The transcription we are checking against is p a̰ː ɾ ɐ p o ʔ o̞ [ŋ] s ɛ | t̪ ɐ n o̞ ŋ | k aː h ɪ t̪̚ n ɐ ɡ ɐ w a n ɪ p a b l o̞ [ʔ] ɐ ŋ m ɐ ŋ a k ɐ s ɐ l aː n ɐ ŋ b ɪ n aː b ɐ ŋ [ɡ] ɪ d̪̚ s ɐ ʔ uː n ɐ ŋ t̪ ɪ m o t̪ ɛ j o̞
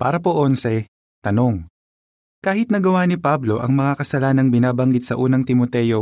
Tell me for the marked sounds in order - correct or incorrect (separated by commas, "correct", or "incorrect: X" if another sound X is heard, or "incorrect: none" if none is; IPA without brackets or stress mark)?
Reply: incorrect: n, correct, correct